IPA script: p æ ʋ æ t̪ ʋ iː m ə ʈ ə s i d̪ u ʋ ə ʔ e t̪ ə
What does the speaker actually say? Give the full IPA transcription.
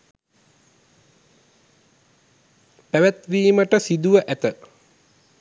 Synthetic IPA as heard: p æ ʋ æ t̪ ʋ iː m ə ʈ ə s i d̪ u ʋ ə ʔ æ t̪ ə